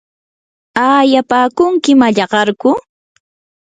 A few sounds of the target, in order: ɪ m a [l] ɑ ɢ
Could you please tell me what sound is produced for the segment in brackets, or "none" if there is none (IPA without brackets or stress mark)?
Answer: ʎ